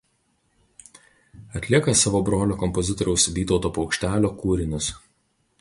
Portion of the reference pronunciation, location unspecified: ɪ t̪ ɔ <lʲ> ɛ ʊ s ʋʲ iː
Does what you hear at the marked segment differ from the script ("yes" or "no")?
yes